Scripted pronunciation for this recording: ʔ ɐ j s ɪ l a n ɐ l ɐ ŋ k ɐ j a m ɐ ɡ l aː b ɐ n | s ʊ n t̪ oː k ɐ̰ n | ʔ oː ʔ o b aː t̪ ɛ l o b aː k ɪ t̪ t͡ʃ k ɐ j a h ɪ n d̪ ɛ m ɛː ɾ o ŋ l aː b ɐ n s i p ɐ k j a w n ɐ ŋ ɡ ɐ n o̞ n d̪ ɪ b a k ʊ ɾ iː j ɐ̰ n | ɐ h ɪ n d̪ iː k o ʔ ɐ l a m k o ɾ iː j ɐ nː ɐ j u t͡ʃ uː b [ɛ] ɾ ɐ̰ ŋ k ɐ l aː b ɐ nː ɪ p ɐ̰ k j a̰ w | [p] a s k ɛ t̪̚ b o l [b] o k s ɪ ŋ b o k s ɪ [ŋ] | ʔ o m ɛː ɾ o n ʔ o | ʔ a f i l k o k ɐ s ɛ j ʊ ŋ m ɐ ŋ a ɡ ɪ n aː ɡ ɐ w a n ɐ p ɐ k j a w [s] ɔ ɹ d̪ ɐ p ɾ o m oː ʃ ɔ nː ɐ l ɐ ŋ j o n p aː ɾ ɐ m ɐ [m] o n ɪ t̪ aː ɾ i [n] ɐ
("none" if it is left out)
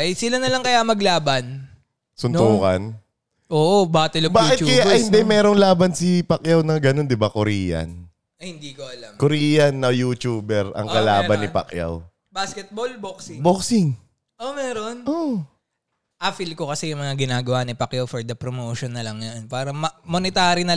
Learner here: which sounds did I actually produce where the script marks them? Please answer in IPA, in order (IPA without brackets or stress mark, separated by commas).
ɛ, b, b, ŋ, f, m, n